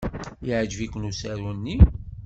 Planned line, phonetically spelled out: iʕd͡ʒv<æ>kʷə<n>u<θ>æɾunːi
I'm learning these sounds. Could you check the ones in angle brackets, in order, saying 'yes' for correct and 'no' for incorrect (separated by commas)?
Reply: no, yes, no